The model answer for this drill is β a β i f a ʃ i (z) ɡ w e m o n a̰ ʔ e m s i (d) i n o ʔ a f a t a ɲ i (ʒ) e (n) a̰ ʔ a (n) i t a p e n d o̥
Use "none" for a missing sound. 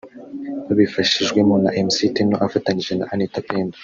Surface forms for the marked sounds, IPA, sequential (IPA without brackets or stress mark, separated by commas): ʒ, t, ʒ, n, n